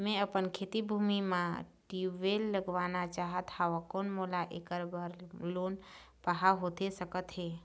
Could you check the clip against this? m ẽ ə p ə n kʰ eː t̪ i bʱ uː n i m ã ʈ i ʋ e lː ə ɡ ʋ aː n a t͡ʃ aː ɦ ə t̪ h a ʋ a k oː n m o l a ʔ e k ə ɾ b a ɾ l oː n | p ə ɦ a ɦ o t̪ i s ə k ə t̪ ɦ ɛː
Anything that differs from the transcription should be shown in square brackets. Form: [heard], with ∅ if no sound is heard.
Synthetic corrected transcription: m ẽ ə p ə n kʰ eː t̪ i bʱ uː [m] i m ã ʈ i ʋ e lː ə ɡ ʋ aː n a t͡ʃ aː ɦ ə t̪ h a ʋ a k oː n m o l a ʔ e k ə ɾ b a ɾ l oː n | p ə ɦ a ɦ o t̪ [e] s ə k ə t̪ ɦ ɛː